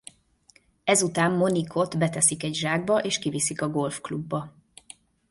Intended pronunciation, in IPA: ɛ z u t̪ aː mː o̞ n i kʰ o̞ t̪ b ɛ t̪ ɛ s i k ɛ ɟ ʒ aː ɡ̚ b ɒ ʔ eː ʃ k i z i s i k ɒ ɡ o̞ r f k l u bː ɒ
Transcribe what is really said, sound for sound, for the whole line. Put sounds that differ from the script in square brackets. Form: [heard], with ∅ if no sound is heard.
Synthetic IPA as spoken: ɛ z u t̪ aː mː o̞ n i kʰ o̞ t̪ b ɛ t̪ ɛ s i k ɛ ɟ ʒ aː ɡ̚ b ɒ ʔ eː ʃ k i [v] i s i k ɒ ɡ o̞ [l] f k l u bː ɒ

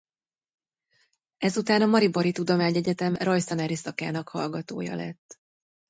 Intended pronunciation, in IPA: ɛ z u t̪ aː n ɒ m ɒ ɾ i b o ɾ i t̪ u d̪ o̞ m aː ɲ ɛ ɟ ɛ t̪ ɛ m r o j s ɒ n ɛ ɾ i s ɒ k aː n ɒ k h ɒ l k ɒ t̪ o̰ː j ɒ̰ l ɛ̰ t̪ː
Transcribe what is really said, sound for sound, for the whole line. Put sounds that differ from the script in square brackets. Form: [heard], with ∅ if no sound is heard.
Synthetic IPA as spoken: ɛ z u t̪ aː n ɒ m ɒ ɾ i b o ɾ i t̪ u d̪ o̞ m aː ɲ ɛ ɟ ɛ t̪ ɛ m r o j s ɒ n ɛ ɾ i s ɒ k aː n ɒ k h ɒ l [ɡ] ɒ t̪ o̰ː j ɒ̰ l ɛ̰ t̪ː

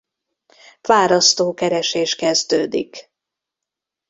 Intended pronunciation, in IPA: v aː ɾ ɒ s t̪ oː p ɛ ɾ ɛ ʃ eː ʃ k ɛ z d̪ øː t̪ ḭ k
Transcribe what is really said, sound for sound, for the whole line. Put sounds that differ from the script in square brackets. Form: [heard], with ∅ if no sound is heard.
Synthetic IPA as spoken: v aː ɾ ɒ s t̪ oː [k] ɛ ɾ ɛ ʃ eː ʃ k ɛ z d̪ øː [d̪] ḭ k

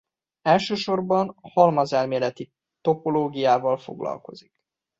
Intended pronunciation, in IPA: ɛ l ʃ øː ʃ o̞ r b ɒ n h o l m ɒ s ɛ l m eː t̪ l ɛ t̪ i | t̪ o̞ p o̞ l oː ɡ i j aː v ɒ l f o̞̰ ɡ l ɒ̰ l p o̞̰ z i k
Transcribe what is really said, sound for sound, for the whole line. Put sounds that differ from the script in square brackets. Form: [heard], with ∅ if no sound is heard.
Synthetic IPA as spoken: ɛ l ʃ øː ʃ o̞ r b ɒ n h [ɒ] l m ɒ [z] ɛ l m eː [∅] l ɛ t̪ i | t̪ o̞ p o̞ l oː ɡ i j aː v ɒ l f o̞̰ ɡ l ɒ̰ l [k] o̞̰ z i k

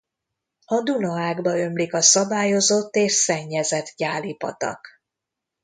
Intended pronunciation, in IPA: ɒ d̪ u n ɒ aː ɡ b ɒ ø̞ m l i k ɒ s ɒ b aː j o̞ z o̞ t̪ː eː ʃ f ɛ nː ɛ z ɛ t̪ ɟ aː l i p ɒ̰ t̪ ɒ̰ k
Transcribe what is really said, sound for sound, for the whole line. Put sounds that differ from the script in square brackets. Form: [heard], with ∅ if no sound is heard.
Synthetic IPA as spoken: ɒ d̪ u n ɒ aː ɡ b ɒ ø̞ m l i k ɒ s ɒ b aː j o̞ z o̞ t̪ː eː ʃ [s] ɛ [ɲː] ɛ z ɛ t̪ ɟ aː l i p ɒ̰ t̪ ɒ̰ k

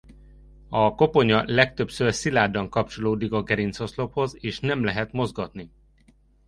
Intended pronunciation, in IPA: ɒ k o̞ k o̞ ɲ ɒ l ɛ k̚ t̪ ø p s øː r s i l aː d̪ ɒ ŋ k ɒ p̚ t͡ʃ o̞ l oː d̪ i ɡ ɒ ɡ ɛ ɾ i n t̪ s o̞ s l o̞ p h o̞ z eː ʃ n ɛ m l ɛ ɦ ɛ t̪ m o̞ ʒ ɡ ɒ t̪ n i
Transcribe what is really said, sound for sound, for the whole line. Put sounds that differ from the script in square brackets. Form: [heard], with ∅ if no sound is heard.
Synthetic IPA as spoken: ɒ k o̞ [p] o̞ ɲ ɒ l ɛ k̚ t̪ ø p s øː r s i l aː d̪ ɒ ŋ k ɒ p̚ t͡ʃ o̞ l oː d̪ i [k] ɒ ɡ ɛ ɾ i n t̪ s o̞ s l o̞ p h o̞ z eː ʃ n ɛ m l ɛ ɦ ɛ t̪ m o̞ [z] ɡ ɒ t̪ n i

